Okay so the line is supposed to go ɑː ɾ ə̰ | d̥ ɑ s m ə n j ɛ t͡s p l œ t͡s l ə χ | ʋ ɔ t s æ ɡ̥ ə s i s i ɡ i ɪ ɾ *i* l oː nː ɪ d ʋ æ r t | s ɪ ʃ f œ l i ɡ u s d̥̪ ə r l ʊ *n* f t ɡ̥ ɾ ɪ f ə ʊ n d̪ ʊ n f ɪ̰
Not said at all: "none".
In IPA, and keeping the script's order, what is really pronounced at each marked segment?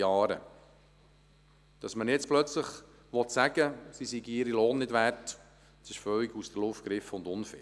i, none

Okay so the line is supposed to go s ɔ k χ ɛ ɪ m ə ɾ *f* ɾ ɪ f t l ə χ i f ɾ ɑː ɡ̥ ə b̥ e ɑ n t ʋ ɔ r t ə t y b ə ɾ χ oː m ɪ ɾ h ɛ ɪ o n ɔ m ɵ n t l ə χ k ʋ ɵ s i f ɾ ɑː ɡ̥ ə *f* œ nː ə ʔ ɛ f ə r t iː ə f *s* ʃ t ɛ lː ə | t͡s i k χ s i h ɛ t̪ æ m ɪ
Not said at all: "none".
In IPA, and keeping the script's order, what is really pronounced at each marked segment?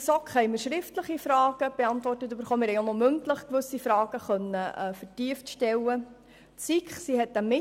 ʃ, χ, t

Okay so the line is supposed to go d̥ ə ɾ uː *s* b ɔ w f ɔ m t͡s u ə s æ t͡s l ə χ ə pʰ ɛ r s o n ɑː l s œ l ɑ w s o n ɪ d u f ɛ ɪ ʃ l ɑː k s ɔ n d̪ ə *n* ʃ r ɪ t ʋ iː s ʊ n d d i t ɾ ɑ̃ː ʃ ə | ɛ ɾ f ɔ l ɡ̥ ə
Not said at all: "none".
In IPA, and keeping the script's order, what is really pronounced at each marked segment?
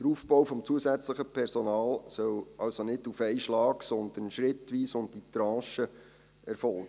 f, n

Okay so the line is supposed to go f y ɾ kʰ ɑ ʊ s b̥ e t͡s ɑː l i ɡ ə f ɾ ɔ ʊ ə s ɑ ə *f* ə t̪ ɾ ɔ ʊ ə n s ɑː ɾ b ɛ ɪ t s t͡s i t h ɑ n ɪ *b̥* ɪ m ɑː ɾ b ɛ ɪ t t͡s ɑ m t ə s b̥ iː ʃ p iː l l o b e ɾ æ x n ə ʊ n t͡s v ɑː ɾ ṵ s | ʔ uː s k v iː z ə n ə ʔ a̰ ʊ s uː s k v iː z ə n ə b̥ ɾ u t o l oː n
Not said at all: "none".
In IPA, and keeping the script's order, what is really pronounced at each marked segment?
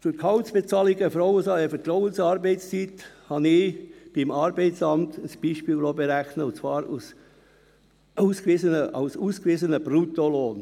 f, b̥

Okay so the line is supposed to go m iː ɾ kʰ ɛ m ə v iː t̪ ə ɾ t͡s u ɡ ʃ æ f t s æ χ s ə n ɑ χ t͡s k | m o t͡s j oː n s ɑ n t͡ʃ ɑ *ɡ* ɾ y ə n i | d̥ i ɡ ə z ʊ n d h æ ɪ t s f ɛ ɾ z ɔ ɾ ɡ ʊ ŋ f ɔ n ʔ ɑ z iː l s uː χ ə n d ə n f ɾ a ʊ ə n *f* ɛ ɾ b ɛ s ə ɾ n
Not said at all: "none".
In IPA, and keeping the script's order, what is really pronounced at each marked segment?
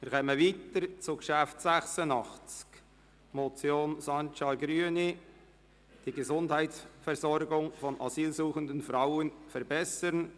ɡ, f

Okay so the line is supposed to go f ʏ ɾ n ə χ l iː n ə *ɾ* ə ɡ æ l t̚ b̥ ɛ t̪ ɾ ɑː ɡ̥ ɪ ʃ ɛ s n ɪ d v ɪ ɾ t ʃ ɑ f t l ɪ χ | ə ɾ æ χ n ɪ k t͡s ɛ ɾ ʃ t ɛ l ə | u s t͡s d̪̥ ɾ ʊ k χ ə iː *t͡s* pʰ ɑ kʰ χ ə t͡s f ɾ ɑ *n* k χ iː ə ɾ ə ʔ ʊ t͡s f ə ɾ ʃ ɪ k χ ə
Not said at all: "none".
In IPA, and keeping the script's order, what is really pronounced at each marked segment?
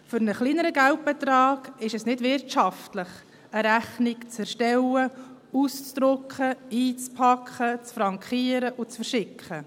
ɾ, t͡s, ŋ

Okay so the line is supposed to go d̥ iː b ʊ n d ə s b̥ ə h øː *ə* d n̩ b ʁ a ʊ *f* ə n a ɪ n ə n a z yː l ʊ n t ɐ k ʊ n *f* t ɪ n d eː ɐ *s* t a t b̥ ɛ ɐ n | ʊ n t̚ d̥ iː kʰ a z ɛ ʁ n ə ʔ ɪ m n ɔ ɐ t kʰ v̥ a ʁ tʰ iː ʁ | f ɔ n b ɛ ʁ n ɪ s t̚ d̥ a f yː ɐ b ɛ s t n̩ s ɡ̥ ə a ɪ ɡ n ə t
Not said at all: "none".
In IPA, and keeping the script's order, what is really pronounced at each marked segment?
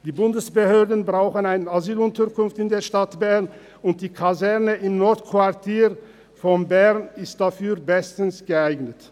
ɐ, x, f, ʃ

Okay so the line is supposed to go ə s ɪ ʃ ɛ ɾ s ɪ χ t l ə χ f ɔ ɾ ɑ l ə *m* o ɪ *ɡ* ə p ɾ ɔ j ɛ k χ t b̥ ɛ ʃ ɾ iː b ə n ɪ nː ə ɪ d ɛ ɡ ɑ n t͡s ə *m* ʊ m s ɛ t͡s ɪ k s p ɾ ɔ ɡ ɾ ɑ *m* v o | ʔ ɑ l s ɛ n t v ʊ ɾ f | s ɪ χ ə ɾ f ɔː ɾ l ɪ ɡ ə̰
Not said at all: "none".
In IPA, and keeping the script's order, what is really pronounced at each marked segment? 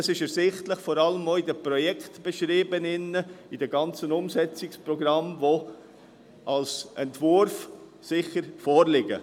m, d, n, m

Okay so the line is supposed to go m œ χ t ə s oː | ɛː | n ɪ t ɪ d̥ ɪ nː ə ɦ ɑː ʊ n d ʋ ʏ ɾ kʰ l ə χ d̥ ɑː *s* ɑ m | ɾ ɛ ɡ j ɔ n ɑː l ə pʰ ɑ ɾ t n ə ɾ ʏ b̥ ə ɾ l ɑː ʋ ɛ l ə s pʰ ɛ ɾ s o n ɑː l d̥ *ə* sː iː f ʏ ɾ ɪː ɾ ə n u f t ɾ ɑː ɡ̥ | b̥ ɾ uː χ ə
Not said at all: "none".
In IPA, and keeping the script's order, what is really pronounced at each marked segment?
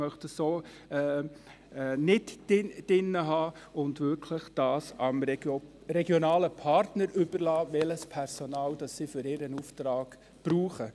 s, ɑ

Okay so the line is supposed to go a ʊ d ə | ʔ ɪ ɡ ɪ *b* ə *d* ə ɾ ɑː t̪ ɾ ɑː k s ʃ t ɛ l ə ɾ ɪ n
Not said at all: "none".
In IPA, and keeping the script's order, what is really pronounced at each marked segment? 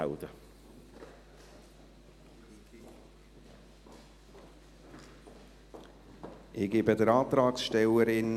b, d

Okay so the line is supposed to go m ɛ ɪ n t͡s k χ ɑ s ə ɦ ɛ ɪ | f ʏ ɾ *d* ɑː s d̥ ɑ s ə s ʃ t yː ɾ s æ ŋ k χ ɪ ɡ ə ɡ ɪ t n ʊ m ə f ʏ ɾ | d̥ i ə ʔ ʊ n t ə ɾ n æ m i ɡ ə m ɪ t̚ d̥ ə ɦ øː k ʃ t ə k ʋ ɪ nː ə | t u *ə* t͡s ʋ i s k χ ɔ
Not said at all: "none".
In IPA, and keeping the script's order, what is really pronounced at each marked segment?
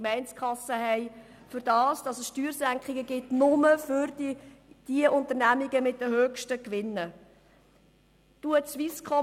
d, ə

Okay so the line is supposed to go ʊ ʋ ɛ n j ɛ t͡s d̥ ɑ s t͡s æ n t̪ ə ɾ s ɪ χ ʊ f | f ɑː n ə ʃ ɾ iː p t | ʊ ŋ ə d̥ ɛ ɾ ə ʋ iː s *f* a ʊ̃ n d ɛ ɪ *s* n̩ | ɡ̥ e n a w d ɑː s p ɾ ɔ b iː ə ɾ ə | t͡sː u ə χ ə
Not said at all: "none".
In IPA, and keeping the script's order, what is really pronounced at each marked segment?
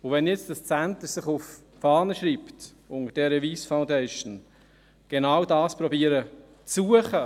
f, ʃ

